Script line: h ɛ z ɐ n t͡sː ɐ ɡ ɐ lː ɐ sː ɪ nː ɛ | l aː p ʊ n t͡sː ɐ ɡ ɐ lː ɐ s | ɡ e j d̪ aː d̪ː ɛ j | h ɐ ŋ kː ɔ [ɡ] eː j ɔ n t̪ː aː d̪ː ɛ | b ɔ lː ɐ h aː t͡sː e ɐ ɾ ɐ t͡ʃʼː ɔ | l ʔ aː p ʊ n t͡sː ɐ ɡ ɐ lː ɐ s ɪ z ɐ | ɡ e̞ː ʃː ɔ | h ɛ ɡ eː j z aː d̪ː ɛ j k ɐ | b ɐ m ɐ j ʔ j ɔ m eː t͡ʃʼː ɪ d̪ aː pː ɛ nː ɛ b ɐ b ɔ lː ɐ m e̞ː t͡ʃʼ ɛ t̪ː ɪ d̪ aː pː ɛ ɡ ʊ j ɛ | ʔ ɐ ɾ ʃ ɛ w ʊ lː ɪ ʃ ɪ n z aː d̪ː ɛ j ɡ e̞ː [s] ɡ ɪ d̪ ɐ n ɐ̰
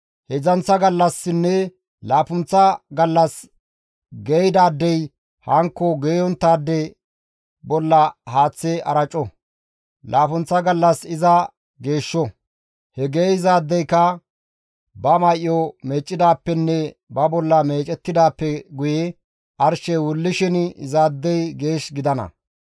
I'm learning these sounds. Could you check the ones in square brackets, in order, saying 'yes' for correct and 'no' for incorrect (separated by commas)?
yes, no